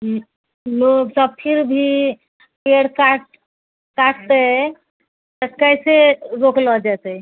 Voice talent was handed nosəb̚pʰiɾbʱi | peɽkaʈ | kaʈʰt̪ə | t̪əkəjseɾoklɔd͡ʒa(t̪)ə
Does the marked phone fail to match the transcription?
no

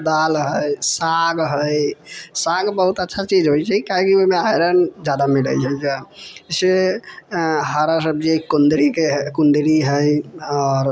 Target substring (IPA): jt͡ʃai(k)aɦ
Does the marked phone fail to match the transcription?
no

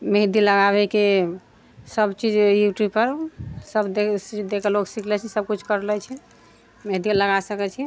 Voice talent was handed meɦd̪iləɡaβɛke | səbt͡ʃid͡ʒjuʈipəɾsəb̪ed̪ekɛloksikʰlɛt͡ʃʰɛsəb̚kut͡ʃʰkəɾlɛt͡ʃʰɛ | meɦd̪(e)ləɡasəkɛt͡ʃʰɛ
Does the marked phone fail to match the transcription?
yes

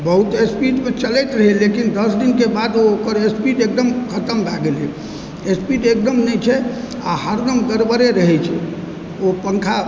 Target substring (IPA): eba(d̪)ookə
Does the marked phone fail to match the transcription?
no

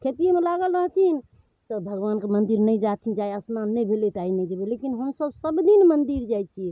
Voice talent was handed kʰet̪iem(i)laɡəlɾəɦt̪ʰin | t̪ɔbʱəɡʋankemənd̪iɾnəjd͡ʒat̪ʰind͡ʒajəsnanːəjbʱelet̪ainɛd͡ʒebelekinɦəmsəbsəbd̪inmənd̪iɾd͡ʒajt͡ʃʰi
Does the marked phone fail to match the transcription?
yes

